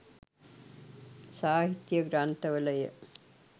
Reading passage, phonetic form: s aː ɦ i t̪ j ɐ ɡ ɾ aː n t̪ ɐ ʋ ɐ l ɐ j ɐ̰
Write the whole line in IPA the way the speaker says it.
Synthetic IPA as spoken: s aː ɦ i t̪ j ɐ ɡ ɾ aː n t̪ ɐ ʋ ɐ l ɐ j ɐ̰